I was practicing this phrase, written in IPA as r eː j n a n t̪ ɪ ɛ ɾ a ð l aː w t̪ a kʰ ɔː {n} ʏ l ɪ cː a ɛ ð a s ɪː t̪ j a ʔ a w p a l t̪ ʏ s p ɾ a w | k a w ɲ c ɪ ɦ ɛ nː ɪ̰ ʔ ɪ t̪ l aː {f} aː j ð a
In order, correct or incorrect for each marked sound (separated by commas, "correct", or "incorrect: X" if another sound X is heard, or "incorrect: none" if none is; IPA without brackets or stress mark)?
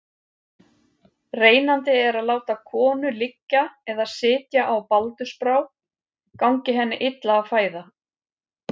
correct, correct